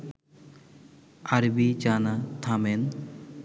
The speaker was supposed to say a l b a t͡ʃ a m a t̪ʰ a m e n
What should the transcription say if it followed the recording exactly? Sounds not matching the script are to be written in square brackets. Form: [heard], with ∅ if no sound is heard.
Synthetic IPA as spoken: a [ɾ] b [i] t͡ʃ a [n] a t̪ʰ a m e n